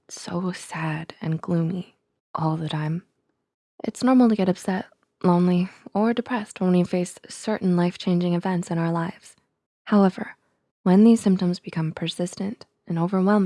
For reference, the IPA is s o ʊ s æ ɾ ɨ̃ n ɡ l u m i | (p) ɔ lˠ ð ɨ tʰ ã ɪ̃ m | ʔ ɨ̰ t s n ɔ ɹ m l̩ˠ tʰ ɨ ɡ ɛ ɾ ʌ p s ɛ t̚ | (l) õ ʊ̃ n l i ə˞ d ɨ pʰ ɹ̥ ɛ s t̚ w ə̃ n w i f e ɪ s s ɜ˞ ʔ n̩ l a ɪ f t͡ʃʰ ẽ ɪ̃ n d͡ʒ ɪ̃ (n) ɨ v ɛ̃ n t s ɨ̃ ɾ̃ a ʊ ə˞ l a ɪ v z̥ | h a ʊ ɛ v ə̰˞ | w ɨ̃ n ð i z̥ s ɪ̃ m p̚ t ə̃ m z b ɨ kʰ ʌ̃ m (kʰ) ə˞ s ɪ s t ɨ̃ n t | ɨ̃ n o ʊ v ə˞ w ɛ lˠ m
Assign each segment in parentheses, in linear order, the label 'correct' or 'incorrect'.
incorrect: ʔ, correct, incorrect: ŋ, incorrect: pʰ

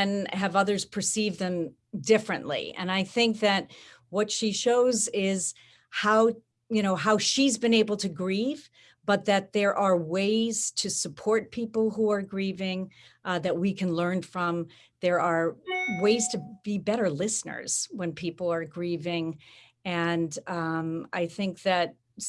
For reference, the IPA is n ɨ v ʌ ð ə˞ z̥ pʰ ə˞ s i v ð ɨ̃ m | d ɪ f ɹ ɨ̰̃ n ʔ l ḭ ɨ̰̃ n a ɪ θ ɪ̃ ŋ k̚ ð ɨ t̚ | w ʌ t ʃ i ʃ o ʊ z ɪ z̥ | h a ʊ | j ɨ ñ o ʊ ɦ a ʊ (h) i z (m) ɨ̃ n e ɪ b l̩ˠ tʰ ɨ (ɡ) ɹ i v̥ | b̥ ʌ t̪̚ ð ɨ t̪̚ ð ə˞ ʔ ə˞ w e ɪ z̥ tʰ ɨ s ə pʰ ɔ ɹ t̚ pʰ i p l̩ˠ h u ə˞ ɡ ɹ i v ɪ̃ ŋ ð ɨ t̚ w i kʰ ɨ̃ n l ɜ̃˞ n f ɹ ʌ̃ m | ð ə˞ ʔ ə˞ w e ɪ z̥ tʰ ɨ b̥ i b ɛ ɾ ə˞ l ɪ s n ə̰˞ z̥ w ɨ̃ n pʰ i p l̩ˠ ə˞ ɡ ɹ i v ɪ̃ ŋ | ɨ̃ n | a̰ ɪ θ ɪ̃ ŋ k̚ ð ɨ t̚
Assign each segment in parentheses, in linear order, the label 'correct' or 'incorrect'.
incorrect: ʃ, incorrect: b, correct

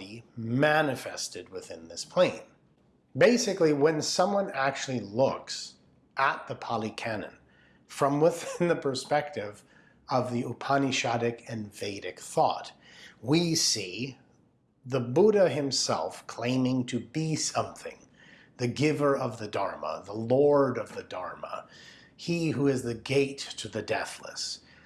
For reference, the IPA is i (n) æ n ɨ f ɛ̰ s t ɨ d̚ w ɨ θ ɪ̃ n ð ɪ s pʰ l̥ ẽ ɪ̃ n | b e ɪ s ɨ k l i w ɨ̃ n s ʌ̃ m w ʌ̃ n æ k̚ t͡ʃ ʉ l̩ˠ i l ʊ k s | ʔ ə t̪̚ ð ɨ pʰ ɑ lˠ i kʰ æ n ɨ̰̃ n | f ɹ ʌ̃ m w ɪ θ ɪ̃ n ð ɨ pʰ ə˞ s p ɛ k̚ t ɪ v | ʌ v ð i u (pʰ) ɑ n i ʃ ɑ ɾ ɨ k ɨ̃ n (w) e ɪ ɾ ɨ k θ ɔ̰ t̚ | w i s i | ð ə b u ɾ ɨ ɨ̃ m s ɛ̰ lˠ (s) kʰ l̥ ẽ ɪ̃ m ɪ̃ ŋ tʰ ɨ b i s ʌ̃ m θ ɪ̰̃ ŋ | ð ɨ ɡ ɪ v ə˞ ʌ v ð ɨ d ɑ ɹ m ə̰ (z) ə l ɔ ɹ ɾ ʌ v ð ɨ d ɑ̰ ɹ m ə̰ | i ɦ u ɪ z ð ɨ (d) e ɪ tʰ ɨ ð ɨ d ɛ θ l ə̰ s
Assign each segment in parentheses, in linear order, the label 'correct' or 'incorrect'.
incorrect: m, correct, incorrect: v, incorrect: f, incorrect: ð, incorrect: ɡ

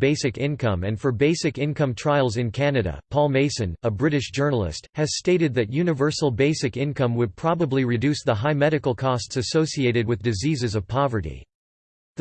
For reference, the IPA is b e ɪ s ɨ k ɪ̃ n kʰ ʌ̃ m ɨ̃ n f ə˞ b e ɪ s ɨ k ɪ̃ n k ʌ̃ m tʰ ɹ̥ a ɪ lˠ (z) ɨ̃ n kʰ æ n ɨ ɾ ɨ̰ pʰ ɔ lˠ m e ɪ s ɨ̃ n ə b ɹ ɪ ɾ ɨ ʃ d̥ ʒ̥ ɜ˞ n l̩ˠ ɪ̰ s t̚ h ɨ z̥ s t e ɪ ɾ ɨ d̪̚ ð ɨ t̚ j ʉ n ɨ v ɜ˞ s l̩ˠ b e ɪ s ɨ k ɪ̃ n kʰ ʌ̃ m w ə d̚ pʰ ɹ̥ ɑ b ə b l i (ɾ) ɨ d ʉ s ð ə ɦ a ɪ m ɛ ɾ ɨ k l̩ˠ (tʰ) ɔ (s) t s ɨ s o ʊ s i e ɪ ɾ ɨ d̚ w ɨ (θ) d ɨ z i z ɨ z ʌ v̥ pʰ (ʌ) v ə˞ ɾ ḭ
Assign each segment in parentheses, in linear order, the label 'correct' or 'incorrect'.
correct, incorrect: ɹ, incorrect: kʰ, correct, incorrect: ð, incorrect: ɑ

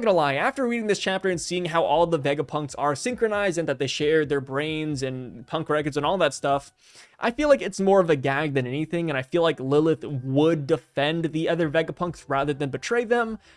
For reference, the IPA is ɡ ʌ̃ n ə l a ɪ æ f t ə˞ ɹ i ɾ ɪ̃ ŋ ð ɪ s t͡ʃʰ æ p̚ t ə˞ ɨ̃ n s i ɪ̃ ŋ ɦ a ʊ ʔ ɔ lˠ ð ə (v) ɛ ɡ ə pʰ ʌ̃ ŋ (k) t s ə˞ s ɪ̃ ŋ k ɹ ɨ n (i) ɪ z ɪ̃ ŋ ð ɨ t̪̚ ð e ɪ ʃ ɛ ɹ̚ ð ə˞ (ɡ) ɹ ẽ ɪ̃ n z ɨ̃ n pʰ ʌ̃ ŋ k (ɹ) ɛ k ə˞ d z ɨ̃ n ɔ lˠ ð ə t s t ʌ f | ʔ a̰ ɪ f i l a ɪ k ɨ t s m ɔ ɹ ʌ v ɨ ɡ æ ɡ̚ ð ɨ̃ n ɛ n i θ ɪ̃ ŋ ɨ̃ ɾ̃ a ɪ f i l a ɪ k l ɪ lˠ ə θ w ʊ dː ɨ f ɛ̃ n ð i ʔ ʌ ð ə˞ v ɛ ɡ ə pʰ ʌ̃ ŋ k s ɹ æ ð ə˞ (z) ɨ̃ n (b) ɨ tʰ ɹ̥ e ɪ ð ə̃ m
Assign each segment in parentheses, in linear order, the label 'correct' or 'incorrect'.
correct, correct, incorrect: a, incorrect: b, correct, incorrect: ð, correct

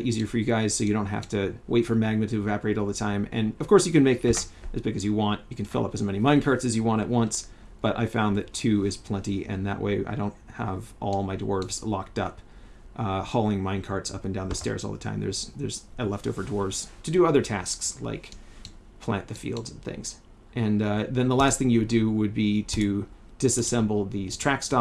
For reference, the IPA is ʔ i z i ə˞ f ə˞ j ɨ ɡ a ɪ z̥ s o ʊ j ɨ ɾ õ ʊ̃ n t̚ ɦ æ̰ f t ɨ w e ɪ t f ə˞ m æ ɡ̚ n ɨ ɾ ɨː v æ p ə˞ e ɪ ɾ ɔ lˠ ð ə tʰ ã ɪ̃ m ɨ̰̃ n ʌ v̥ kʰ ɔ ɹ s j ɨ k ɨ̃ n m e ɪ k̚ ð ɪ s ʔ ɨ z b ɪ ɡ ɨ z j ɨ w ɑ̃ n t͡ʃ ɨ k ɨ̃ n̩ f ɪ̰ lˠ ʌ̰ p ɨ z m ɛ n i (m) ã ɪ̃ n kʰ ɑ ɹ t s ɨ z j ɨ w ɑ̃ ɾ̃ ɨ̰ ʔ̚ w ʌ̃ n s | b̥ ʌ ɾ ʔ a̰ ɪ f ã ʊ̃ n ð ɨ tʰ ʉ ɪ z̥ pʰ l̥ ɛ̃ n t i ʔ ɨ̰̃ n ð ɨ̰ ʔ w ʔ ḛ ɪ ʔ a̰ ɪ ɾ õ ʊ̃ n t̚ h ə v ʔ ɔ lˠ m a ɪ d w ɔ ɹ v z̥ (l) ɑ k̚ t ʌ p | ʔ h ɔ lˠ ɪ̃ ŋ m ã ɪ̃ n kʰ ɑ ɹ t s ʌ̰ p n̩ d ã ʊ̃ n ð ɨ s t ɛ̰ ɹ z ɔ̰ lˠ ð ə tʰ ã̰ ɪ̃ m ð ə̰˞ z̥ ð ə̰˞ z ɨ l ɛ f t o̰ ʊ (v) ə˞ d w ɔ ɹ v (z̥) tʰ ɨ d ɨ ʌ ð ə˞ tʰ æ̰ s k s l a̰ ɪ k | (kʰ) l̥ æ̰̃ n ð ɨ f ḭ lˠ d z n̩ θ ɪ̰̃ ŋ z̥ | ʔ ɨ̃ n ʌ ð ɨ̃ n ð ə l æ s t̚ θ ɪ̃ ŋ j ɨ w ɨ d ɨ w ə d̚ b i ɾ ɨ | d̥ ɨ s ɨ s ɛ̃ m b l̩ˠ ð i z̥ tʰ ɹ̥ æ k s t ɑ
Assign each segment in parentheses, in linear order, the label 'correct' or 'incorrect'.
correct, correct, correct, correct, incorrect: pʰ

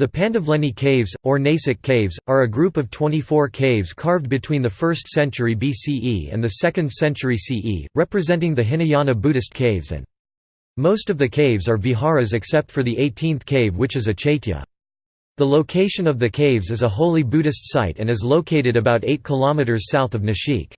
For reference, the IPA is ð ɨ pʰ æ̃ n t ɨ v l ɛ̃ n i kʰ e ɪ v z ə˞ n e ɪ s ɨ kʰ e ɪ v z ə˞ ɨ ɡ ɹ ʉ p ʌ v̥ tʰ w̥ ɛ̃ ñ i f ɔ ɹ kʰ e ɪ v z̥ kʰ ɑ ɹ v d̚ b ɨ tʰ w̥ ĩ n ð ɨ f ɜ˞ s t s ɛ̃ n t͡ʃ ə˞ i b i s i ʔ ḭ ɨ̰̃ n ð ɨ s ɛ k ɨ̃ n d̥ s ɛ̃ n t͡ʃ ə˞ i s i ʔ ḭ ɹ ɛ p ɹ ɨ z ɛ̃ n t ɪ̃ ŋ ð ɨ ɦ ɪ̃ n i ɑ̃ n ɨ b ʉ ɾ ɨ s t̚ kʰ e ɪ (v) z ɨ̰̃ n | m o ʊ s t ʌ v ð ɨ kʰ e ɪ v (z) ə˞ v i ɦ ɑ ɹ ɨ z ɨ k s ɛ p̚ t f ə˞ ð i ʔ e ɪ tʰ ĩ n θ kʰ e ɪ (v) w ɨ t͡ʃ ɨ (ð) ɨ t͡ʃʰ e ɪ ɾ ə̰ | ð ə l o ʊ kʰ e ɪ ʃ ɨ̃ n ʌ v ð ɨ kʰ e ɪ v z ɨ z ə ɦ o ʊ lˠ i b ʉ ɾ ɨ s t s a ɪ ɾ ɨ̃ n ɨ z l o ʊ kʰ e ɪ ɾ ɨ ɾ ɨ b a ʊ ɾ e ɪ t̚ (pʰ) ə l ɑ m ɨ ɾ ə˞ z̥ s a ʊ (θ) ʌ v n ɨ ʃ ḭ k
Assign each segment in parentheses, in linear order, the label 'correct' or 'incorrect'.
correct, correct, correct, incorrect: z, incorrect: kʰ, correct

